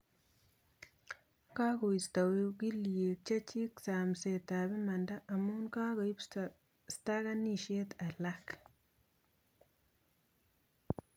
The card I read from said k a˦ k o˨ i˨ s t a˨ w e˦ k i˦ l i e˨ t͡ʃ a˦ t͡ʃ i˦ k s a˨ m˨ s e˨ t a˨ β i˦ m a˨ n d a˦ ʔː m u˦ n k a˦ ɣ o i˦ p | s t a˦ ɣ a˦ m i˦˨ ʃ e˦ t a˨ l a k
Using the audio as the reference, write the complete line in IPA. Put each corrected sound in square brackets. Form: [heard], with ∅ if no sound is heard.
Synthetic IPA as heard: k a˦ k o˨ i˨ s t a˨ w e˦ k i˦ l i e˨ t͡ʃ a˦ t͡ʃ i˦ k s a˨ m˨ s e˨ t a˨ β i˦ m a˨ n d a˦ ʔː m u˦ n k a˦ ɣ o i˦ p | s t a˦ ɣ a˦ [n] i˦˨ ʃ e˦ t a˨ l a k

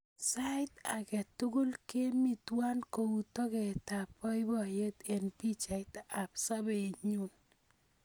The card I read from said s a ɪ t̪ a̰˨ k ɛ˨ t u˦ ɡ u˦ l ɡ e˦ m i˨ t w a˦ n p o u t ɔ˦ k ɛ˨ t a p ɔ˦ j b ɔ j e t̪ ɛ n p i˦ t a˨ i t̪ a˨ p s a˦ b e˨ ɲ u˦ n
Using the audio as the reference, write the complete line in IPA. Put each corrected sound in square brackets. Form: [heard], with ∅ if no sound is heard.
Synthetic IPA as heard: s a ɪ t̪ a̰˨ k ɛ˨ t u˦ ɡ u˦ l [k] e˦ m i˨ t w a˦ n [k] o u t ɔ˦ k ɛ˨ t a p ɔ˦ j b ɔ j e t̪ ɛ n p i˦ [t͡ʃ] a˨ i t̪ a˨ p s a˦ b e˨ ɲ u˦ n

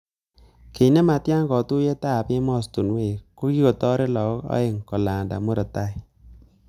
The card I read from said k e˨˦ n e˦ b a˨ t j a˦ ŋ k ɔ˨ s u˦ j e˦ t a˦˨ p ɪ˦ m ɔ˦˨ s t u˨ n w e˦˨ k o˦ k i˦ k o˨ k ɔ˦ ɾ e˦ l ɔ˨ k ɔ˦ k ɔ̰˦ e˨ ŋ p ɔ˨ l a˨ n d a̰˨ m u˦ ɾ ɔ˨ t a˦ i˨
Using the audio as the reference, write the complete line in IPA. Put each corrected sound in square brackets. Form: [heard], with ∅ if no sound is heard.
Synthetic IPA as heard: k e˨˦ n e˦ [m] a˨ t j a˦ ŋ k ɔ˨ [t] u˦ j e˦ t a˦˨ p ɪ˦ m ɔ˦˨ s t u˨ n w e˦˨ k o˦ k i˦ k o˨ [t] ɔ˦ ɾ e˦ l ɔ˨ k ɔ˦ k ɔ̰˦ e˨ ŋ [k] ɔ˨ l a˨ n d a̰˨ m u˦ ɾ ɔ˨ t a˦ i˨

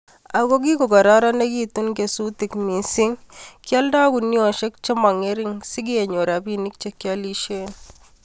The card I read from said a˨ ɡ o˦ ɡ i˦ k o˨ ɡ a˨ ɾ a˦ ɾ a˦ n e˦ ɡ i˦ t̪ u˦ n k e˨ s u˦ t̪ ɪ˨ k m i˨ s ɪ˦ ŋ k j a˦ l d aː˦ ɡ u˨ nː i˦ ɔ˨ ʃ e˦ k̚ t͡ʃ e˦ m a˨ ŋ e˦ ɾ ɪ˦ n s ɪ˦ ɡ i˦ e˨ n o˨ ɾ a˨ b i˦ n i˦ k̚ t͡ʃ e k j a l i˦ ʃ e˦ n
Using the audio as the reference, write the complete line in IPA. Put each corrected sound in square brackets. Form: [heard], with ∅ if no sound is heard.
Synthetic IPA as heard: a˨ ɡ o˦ ɡ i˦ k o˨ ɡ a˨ ɾ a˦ ɾ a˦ n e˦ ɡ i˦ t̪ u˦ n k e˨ s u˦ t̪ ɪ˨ k m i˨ s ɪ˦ ŋ k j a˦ l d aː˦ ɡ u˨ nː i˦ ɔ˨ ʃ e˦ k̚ t͡ʃ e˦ m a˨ ŋ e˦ ɾ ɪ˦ [ŋ] s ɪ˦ ɡ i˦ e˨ [ɲ] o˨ ɾ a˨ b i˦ n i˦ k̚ t͡ʃ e k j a l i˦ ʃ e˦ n

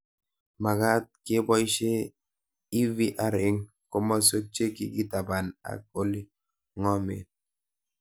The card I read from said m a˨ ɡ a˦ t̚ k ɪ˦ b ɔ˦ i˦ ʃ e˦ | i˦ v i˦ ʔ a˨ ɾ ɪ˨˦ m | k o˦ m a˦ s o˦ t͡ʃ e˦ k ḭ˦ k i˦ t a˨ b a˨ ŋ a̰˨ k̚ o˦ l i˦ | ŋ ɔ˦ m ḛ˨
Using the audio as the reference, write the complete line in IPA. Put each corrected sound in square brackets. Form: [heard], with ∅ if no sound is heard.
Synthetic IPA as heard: m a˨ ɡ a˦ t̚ k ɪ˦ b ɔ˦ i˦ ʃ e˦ | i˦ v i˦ ʔ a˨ ɾ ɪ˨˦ [ŋ] | k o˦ m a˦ s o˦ t͡ʃ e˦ k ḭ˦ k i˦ t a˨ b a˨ [n] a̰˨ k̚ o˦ l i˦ | ŋ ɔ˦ m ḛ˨

